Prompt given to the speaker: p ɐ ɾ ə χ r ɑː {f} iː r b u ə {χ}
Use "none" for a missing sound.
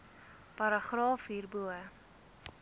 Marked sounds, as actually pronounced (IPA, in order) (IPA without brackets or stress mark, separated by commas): f, none